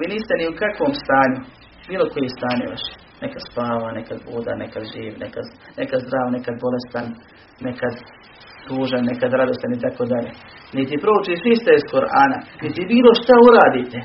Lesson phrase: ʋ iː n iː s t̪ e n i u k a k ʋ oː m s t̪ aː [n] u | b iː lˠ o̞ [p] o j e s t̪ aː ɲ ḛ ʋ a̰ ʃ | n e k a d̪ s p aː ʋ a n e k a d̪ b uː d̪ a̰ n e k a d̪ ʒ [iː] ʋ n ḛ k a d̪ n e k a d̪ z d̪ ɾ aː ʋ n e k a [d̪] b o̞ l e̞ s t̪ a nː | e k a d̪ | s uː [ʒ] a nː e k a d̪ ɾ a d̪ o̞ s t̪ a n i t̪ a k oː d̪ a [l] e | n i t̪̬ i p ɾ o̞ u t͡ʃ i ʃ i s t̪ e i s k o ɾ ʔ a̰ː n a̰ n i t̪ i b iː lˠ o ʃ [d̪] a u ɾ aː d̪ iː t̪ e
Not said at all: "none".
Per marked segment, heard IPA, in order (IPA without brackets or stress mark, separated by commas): ɲ, k, iː, d̪, ʒ, ʎ, t̪